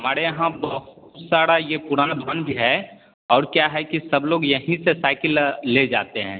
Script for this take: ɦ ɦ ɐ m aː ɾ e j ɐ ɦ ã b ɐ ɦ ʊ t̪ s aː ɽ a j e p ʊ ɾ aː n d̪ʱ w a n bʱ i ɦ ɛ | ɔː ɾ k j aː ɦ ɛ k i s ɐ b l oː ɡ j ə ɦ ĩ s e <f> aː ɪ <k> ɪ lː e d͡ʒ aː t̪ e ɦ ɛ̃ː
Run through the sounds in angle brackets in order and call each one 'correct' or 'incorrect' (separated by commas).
incorrect, correct